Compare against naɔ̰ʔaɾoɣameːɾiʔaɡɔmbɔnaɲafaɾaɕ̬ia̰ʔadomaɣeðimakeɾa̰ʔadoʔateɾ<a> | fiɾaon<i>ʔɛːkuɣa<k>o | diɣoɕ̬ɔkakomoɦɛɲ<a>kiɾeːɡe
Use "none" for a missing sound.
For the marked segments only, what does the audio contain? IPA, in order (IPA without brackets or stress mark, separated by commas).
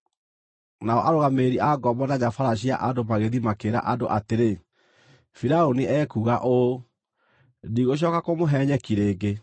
e, i, ʔ, ɛ